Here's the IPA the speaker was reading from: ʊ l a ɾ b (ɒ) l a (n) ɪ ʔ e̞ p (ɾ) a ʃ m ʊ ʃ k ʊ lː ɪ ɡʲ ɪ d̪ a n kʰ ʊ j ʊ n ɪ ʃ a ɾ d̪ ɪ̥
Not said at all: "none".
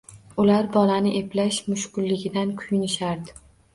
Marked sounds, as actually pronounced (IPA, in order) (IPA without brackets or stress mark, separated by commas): ɒ, n, l